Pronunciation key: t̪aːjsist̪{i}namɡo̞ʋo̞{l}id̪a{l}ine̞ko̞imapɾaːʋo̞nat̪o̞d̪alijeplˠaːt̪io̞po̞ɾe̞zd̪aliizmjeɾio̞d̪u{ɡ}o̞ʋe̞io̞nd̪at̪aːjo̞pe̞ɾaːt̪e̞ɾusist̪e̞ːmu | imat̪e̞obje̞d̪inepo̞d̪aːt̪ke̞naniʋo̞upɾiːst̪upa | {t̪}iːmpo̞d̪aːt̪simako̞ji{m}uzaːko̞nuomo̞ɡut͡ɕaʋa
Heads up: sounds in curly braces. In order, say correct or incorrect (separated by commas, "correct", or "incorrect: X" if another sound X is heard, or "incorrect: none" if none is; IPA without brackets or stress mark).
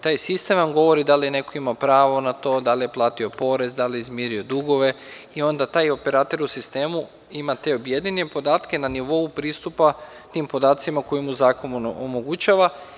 incorrect: e, incorrect: ɾ, correct, correct, correct, correct